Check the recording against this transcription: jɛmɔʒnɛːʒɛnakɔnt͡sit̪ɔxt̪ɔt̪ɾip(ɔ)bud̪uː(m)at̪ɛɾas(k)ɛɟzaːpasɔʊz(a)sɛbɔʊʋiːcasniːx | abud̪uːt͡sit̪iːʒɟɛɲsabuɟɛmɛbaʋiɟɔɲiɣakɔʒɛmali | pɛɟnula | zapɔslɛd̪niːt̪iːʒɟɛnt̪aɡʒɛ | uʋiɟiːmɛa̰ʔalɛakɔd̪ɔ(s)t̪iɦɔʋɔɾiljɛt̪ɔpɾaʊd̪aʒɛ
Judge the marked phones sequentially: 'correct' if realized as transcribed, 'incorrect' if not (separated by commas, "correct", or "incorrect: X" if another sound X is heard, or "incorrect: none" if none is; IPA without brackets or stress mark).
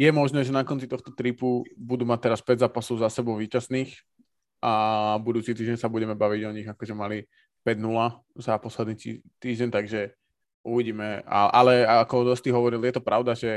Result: incorrect: u, correct, incorrect: p, correct, correct